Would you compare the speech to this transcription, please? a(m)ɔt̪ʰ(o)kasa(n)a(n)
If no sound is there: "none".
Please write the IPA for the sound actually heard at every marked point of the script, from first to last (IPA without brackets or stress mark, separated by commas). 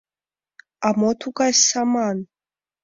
m, u, m, n